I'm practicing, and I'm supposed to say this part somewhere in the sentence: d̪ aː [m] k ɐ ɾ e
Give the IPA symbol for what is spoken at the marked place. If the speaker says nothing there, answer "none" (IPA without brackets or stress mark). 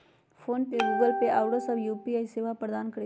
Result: n